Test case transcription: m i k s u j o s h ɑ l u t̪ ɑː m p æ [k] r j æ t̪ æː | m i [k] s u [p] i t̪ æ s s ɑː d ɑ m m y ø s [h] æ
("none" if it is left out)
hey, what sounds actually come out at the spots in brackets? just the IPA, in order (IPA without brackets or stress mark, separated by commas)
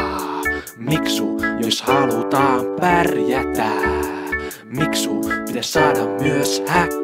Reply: none, k, p, h